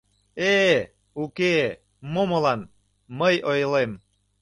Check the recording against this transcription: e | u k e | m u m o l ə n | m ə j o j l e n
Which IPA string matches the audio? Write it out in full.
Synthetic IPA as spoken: e | u k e | m o m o l ɑ n | m ə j o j l e m